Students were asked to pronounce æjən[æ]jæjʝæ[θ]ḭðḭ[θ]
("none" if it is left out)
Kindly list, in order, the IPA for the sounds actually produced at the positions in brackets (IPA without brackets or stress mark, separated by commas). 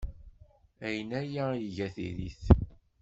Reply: æ, θ, θ